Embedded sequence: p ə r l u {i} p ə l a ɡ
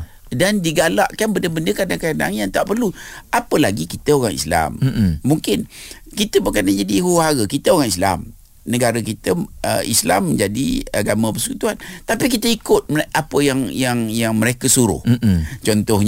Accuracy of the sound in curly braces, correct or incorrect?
incorrect